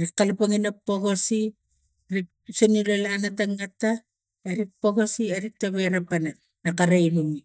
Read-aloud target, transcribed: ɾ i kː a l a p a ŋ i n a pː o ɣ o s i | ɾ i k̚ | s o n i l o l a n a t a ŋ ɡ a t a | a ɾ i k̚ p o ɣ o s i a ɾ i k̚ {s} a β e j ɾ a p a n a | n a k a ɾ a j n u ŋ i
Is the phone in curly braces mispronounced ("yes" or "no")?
yes